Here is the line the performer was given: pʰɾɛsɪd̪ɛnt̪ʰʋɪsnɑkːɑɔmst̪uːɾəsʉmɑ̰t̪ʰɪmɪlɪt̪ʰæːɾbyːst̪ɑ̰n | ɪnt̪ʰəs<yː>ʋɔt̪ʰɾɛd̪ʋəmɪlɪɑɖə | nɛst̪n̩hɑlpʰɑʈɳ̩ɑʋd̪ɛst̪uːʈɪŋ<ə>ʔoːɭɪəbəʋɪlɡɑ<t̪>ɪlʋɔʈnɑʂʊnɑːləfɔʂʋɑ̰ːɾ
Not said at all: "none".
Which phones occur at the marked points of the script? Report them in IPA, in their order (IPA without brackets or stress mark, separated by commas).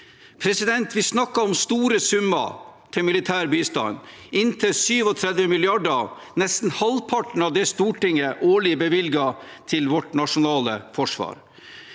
yː, ə, t̪ʰ